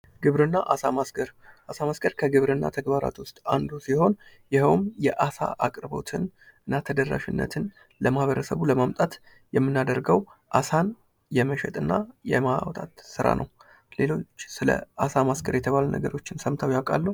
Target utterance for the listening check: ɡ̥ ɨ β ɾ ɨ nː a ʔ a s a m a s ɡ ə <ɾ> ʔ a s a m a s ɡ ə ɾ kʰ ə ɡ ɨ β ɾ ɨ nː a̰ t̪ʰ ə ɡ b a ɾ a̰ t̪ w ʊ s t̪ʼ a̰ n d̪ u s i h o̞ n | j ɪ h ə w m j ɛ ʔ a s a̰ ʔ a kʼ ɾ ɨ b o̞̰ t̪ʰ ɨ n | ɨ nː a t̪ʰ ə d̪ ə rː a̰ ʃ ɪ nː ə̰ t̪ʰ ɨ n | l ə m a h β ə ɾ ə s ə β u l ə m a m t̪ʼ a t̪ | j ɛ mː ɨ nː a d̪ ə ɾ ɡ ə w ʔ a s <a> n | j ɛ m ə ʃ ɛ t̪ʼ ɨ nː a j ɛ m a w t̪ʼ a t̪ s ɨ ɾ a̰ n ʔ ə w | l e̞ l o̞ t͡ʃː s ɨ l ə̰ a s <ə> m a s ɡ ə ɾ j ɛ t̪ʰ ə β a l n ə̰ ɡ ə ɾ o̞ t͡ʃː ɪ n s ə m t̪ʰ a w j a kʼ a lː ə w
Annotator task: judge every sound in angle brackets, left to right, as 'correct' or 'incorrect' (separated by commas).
correct, correct, incorrect